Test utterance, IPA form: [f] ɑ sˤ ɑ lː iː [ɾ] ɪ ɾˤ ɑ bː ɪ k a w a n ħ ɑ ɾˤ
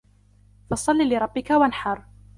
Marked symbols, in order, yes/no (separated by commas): yes, no